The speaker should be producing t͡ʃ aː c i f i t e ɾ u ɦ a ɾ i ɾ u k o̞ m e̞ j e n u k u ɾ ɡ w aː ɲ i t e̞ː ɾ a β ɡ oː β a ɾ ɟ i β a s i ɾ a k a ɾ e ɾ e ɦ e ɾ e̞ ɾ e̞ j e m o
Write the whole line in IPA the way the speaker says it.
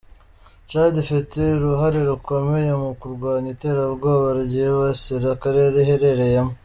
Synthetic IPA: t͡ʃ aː ɟ i f i t e ɾ u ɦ a ɾ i ɾ u k o̞ m e̞ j e m u k u ɾ ɡ w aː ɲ i t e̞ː ɾ a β ɡ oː β a ɾ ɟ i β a s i ɾ a k a ɾ e ɾ e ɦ e ɾ e̞ ɾ e̞ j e m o